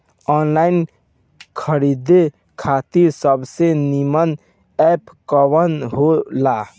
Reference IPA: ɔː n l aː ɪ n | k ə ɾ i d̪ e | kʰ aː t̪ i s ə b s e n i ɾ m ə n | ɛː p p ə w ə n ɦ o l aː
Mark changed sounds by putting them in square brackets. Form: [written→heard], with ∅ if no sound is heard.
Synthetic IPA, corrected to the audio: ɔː n l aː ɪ n | [k→kʰ] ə ɾ i d̪ e | kʰ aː t̪ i s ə b s e n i [ɾ→∅] m ə n | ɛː p [p→k] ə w ə n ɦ o l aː